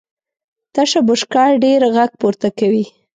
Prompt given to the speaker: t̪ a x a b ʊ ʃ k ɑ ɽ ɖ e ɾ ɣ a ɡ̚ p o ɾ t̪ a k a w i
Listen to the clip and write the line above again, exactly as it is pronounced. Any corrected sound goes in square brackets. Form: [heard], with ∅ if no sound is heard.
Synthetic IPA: t̪ a [ʃ] a b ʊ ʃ k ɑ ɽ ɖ e ɾ ɣ a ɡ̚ p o ɾ t̪ a k a w i